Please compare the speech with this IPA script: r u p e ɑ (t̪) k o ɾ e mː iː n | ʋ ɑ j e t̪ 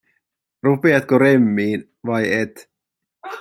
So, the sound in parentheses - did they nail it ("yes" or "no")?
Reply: yes